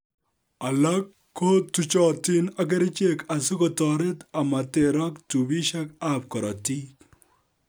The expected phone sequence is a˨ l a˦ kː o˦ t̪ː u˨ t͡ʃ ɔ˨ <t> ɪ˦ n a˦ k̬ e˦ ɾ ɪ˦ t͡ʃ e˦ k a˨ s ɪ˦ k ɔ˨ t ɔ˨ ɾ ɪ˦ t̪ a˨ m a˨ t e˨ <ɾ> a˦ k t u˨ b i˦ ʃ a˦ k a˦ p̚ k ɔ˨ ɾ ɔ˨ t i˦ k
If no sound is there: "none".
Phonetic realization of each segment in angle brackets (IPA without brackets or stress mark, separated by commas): t, ɾ